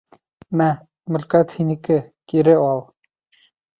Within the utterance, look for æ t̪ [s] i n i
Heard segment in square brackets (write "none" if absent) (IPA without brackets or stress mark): h